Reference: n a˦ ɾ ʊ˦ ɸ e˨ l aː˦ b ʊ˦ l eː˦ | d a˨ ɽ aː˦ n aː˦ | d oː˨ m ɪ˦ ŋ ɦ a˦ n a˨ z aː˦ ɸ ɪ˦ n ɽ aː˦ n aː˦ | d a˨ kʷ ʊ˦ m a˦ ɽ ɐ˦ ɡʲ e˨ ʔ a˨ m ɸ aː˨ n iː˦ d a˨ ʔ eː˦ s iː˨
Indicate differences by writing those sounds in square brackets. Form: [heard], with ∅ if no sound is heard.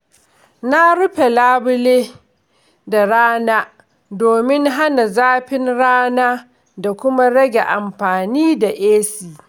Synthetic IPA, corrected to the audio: n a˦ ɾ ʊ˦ ɸ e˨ l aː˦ b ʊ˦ l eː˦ | d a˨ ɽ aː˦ n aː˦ | d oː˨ m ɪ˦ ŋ ɦ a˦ n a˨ z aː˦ ɸ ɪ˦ n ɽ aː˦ n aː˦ | d a˨ kʷ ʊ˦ m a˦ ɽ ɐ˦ ɡʲ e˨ ʔ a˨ m ɸ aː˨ n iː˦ d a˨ ʔ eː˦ s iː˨